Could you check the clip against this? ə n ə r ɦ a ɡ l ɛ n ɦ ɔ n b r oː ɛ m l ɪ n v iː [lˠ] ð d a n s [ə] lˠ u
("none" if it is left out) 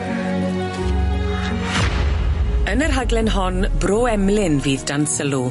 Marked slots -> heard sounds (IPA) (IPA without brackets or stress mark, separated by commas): none, ə